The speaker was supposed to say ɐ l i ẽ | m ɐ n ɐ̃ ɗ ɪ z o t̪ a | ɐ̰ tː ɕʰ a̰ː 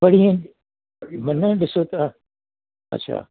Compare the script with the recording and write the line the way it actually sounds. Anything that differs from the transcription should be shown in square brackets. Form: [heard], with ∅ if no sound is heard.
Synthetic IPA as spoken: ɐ [ɽ] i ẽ | m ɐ n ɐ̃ ɗ ɪ [s] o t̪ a | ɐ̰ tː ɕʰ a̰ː